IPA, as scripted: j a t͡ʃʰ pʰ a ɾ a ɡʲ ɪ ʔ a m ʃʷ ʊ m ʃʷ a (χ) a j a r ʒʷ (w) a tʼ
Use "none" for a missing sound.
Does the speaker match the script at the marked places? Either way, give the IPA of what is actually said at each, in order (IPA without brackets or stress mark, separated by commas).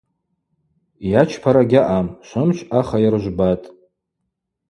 χ, b